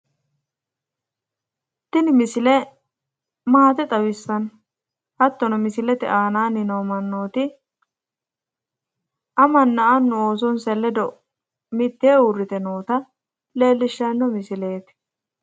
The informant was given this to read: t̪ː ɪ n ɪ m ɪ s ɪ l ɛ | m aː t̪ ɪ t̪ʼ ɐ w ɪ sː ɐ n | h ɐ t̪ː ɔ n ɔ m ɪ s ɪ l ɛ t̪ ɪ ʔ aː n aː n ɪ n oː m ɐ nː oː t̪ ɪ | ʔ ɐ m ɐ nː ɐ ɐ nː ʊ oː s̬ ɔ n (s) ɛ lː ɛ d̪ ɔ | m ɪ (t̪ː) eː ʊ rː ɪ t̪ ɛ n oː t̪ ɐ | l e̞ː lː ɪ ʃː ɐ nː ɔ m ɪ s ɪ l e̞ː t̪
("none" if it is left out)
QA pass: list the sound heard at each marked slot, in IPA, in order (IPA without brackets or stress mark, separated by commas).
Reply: s, t̪ː